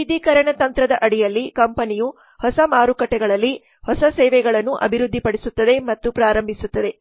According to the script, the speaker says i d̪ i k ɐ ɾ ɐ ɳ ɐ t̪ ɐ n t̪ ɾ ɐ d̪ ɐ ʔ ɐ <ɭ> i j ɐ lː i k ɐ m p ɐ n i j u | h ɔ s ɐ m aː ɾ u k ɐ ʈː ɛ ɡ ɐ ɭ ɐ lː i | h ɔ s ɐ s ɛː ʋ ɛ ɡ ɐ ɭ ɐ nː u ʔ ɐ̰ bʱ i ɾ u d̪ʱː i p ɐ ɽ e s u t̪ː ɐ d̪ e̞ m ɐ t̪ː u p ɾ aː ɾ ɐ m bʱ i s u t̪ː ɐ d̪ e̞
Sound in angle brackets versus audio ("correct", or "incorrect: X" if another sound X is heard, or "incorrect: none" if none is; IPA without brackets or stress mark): incorrect: ɽ